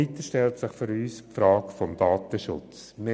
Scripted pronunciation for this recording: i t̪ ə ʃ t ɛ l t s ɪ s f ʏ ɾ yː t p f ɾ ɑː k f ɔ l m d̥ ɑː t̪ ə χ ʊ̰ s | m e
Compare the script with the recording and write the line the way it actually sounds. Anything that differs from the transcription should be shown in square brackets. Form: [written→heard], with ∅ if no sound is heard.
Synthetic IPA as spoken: i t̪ ə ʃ t ɛ l t s ɪ [s→χ] f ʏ ɾ yː [t→s] p f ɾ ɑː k f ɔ [l→∅] m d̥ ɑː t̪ ə [χ→ʃ] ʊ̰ [s→t͡s] | m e